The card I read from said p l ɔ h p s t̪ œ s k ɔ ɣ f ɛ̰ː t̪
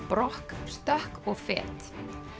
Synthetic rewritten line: p ɾ ɔ h k s t̪ œ h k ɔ ɣ f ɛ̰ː t̪